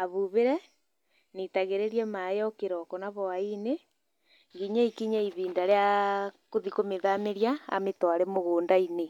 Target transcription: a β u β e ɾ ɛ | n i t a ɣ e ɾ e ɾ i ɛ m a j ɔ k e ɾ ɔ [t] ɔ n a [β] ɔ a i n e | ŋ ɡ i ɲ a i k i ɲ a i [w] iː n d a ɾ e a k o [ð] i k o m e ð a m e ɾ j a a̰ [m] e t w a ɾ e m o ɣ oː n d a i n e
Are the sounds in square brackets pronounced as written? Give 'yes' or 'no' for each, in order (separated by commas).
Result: no, yes, no, yes, yes